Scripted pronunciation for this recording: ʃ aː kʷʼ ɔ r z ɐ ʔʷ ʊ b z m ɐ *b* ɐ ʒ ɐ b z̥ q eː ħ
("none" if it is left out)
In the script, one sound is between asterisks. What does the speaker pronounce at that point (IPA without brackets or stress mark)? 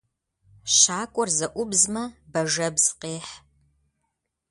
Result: b